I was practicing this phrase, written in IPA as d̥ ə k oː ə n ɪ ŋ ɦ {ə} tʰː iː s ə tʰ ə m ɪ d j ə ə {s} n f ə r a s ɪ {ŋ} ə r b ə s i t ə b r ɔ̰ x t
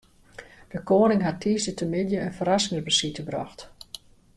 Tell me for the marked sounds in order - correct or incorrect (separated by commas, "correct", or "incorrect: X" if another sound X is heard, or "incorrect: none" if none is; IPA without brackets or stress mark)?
incorrect: a, incorrect: none, correct